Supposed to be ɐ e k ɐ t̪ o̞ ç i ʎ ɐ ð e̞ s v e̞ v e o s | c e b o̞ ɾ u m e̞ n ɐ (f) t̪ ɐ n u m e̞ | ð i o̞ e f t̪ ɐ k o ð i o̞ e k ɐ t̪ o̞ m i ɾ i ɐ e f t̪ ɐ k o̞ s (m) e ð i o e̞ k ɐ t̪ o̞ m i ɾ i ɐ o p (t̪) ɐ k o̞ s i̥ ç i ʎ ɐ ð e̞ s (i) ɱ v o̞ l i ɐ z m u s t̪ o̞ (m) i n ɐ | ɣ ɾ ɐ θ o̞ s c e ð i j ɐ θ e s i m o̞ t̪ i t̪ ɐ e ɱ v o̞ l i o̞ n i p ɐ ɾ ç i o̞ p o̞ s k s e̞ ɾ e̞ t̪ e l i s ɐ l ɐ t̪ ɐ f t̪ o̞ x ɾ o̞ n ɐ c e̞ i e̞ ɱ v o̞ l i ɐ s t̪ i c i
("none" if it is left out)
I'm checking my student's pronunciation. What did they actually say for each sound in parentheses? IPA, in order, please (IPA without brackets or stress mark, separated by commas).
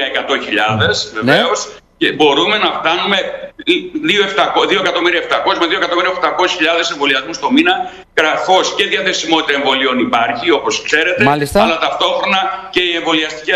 f, m, t̪, e, m